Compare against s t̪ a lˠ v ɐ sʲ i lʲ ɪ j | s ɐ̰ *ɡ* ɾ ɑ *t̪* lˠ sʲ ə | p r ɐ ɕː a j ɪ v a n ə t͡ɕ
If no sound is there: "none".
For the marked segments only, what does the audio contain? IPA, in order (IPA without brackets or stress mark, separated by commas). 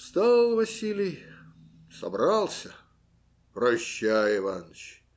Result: b, none